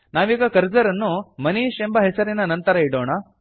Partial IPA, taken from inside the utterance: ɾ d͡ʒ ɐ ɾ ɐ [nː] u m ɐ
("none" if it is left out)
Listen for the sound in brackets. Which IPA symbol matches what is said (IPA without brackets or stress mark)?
nː